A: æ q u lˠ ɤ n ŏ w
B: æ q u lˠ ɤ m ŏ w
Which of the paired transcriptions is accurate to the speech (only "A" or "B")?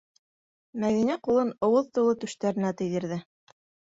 A